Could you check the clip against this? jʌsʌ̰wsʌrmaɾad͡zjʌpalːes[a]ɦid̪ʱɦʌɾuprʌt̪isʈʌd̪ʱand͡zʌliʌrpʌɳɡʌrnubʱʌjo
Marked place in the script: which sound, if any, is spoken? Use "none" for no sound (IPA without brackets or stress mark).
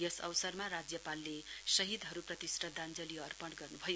ʌ